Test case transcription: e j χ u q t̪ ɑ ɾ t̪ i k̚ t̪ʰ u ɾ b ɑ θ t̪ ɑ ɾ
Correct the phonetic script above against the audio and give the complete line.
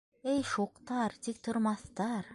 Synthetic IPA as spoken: e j ʃ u q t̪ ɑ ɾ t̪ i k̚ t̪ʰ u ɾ m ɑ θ t̪ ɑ ɾ